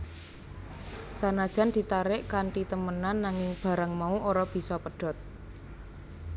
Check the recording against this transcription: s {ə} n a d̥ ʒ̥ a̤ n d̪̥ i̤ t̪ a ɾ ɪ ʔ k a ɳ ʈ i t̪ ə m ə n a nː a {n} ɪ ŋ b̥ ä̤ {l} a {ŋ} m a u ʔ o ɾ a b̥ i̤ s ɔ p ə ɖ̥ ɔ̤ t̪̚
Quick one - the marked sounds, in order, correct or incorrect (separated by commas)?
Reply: incorrect, incorrect, incorrect, correct